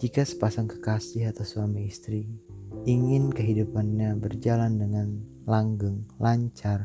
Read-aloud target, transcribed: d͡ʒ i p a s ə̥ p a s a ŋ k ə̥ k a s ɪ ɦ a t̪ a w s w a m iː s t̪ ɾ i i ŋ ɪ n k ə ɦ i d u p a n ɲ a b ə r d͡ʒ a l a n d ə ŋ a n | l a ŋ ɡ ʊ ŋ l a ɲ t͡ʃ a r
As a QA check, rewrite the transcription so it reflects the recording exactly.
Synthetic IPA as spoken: d͡ʒ i k a s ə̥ p a s a ŋ k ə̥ k a s ɪ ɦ a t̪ a w s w a m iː s t̪ ɾ i i ŋ ɪ n k ə ɦ i d u p a n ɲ a b ə r d͡ʒ a l a n d ə ŋ a n | l a ŋ ɡ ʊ ŋ l a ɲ t͡ʃ a r